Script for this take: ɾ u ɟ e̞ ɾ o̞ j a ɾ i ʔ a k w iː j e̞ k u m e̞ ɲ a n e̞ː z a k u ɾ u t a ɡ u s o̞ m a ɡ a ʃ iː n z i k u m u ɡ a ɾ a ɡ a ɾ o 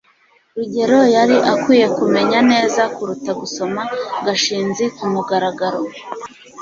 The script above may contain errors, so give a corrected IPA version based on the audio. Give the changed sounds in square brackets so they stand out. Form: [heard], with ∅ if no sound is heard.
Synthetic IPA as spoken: ɾ u ɟ e̞ ɾ o̞ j a ɾ i ʔ a k w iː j e̞ k u m e̞ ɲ a n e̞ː z a k u ɾ u t a ɡ u s o̞ m a ɡ a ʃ iː n z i k u m u ɡ a ɾ a ɡ a ɾ o